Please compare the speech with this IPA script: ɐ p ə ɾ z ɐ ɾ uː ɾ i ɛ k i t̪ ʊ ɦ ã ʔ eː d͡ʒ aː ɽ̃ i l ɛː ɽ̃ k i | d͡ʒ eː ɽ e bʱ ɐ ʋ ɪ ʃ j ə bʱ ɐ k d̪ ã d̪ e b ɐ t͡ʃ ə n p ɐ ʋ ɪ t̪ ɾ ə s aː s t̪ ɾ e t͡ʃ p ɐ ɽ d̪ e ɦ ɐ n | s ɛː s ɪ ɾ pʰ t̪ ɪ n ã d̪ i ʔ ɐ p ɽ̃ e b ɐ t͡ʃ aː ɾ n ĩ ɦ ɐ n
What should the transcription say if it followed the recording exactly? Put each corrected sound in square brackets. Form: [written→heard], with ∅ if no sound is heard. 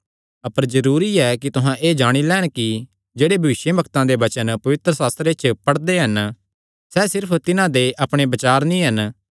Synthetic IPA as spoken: ɐ p ə ɾ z ɐ ɾ uː ɾ i ɛ k i t̪ ʊ ɦ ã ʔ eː d͡ʒ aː ɽ̃ i l ɛː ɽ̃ k i | d͡ʒ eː ɽ e bʱ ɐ ʋ ɪ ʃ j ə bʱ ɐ k [d̪→t̪] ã d̪ e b ɐ t͡ʃ ə n p ɐ ʋ ɪ t̪ ɾ ə s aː s t̪ ɾ e t͡ʃ p ɐ ɽ d̪ e ɦ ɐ n | s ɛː s ɪ ɾ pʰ t̪ ɪ n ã d̪ [i→e] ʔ ɐ p ɽ̃ e b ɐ t͡ʃ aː ɾ n ĩ ɦ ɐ n